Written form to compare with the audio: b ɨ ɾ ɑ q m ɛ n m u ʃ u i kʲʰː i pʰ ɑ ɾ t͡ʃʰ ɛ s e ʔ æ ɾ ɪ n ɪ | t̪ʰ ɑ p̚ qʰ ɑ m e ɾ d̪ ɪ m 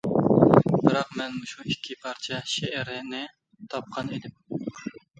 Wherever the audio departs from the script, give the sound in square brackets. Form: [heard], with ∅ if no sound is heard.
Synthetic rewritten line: b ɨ ɾ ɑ q m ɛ n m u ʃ u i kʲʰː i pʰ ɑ ɾ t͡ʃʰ ɛ [ʃ] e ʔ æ ɾ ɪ n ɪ | t̪ʰ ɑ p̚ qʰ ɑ [n] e [∅] d̪ ɪ m